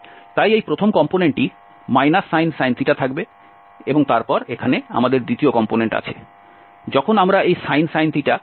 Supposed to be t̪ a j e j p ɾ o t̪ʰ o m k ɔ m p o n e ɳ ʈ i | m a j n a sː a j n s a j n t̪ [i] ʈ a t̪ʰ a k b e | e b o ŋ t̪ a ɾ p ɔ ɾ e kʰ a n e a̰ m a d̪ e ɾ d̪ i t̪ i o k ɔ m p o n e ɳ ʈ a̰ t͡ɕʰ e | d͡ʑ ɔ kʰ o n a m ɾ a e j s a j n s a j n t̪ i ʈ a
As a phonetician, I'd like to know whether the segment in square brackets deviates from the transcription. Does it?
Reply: no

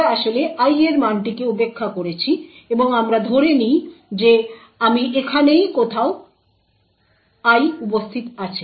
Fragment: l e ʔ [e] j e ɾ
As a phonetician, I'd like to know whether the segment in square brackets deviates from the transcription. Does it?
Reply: yes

